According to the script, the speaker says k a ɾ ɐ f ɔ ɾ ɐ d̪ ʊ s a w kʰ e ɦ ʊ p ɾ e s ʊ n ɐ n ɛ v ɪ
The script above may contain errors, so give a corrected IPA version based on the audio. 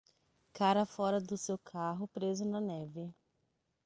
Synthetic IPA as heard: k a ɾ ɐ f ɔ ɾ ɐ d̪ ʊ s e w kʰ a ɦ ʊ p ɾ e z ʊ n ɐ n ɛ v ɪ